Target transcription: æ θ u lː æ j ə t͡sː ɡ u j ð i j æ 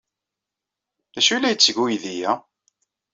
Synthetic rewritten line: æ ʃ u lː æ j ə t͡sː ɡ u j ð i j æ